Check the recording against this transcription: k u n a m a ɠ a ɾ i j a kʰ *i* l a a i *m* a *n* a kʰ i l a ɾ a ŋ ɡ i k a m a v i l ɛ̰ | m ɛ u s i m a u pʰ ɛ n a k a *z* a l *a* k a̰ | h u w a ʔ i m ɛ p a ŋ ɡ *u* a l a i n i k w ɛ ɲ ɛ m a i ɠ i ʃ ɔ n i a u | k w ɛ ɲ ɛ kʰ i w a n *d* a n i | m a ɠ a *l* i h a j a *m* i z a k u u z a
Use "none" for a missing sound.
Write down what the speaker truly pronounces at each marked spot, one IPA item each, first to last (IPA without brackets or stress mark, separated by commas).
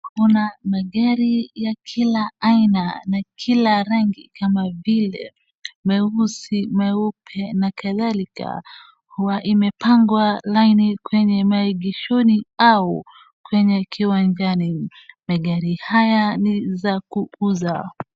i, n, n, ð, i, w, d͡ʒ, ɾ, n